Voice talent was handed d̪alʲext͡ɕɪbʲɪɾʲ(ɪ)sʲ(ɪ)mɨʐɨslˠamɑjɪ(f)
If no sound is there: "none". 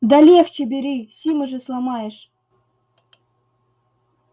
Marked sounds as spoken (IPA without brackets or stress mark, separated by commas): i, i, ʂ